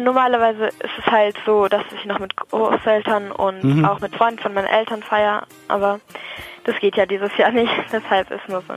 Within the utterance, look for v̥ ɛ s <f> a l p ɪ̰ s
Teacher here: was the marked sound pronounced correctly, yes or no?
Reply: no